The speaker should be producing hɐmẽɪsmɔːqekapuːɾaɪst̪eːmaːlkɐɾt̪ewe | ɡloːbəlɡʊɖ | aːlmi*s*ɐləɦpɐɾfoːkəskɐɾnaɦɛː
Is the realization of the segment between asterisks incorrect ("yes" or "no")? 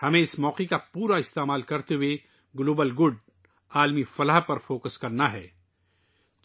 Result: yes